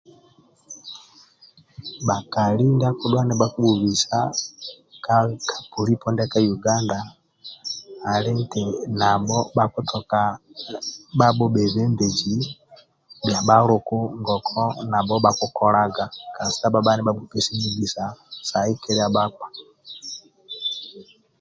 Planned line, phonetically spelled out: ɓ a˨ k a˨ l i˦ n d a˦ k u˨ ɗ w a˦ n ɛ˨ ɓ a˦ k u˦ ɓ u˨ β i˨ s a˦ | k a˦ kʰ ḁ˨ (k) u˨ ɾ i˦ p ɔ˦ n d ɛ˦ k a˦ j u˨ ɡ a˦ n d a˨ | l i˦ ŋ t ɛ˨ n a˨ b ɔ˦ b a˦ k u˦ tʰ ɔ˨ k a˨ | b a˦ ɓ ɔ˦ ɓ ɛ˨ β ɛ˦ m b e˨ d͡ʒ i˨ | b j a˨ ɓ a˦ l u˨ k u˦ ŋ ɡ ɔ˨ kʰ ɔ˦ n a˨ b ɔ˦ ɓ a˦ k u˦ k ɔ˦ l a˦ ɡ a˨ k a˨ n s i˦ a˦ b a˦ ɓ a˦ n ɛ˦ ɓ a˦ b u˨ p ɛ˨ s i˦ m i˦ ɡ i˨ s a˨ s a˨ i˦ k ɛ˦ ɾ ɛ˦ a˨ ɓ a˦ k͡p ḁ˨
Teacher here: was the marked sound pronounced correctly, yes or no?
no